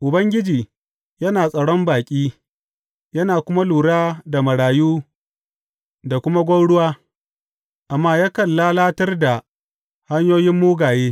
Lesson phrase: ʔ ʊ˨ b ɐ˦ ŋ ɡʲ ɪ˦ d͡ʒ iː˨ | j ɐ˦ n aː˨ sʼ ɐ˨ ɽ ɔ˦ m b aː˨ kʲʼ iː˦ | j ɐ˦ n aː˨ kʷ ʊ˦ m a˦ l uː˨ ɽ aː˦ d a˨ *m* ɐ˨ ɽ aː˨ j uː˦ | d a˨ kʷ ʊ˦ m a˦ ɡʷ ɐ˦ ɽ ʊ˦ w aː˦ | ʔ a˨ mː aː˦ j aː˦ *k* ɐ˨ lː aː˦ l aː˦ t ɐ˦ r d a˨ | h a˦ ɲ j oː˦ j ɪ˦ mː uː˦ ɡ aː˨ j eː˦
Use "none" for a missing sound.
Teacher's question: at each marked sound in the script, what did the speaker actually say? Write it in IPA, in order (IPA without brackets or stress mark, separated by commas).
m, k